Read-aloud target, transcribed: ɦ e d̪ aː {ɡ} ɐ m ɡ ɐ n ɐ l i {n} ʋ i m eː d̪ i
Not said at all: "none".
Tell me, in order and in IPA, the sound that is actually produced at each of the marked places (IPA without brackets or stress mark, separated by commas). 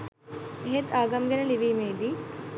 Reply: ɡ, none